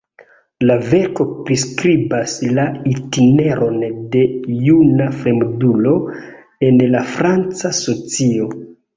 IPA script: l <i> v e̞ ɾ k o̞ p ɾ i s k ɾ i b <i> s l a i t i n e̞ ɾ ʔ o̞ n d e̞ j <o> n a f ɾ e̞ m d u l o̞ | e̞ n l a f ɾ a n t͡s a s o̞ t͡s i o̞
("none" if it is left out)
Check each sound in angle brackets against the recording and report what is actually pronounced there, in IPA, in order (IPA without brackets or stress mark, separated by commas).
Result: a, a, u